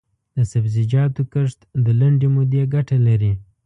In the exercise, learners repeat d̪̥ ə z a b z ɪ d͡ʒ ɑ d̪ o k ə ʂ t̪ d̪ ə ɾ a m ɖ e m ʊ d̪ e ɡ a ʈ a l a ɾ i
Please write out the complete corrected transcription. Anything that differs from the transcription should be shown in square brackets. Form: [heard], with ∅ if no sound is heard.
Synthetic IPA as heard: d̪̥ ə [s] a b z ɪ d͡ʒ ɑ [t̪] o k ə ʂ t̪ d̪ ə [l] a [ɳ] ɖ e m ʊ d̪ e ɡ a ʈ a l a ɾ i